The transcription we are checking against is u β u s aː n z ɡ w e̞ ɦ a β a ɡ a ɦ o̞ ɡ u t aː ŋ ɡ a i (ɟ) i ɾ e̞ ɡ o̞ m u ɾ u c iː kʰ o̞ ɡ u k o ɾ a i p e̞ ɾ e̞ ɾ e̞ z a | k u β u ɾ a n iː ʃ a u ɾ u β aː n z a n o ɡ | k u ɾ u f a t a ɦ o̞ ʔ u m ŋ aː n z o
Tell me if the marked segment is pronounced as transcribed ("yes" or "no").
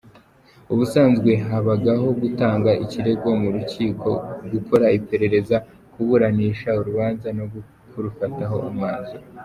no